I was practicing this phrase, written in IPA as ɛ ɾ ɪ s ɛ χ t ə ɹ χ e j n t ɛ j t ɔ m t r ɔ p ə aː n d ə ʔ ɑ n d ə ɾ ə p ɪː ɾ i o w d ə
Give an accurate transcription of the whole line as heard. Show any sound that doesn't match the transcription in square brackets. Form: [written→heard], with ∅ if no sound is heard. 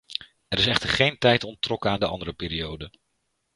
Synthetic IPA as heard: ɛ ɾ ɪ s ɛ χ t ə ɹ χ e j n t ɛ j t ɔ [m→n] t r ɔ [p→k] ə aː n d ə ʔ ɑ n d ə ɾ ə p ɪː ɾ i o w d ə